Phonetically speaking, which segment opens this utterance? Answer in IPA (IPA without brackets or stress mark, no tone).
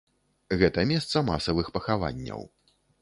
ɣ